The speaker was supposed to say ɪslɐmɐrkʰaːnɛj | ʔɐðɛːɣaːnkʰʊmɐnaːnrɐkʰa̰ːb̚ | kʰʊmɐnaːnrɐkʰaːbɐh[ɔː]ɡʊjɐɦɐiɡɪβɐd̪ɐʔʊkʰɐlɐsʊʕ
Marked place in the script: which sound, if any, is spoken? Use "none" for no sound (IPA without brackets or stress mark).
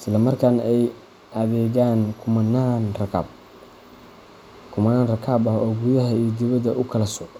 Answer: ɔː